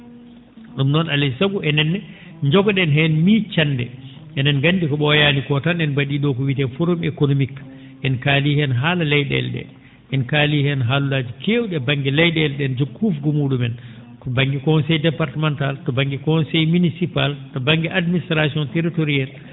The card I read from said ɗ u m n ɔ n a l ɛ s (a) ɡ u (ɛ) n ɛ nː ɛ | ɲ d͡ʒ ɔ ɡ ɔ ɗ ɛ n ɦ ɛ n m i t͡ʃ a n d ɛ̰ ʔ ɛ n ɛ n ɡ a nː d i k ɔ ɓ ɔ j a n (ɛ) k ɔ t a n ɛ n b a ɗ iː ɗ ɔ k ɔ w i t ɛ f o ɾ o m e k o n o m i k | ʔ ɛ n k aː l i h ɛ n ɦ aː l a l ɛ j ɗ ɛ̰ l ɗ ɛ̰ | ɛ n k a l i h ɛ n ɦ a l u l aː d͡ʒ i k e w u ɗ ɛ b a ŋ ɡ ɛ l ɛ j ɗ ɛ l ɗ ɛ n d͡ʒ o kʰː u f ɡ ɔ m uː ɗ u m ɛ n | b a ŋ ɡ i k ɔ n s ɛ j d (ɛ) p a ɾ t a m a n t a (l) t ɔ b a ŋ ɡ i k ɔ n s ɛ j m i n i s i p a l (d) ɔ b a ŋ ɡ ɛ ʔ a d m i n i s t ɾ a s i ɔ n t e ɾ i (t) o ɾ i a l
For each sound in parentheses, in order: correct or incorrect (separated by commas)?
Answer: correct, correct, incorrect, correct, correct, incorrect, correct